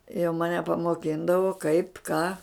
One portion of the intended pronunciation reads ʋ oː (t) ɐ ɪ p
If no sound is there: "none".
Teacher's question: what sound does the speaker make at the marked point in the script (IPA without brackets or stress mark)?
k